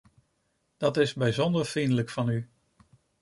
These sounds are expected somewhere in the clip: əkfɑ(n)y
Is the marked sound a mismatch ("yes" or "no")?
no